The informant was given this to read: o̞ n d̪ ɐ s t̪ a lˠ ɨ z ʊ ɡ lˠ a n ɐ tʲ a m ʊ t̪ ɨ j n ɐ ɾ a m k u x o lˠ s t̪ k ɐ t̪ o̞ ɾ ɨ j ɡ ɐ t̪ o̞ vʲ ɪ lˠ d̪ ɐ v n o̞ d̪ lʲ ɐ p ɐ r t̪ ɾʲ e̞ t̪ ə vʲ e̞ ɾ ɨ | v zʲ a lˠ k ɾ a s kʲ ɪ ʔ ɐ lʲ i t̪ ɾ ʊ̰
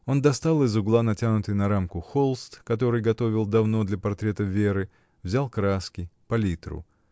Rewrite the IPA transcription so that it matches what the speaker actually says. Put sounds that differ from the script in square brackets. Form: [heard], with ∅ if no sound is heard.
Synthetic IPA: o̞ n d̪ ɐ s t̪ a lˠ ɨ z ʊ ɡ lˠ a n ɐ tʲ a [n] ʊ t̪ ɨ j n ɐ ɾ a m k [ʊ] x o lˠ s t̪ k ɐ t̪ o̞ ɾ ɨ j ɡ ɐ t̪ o̞ vʲ ɪ lˠ d̪ ɐ v n o̞ d̪ lʲ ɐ p ɐ r t̪ ɾʲ e̞ t̪ ə vʲ e̞ ɾ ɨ | v zʲ a lˠ k ɾ a s kʲ ɪ [p] ɐ lʲ i t̪ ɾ ʊ̰